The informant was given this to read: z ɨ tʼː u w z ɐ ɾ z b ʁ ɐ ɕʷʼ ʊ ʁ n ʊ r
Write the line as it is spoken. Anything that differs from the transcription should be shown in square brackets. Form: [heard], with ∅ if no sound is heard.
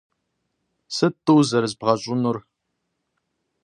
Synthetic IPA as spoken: [s] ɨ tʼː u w z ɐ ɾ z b ʁ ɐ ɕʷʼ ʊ [∅] n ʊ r